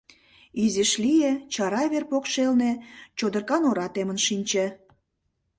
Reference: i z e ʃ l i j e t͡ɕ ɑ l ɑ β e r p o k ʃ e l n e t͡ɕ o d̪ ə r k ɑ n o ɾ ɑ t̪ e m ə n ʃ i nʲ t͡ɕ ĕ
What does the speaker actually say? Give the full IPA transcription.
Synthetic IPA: i z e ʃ l i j e t͡ɕ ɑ ɾ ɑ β e r p o k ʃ e l n e t͡ɕ o d̪ ə r k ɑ n o ɾ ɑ t̪ e m ə n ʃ i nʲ t͡ɕ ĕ